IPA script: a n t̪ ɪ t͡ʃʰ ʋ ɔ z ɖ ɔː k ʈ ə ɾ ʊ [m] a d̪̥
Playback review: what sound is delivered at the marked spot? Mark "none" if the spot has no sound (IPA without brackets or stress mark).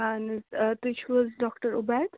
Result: b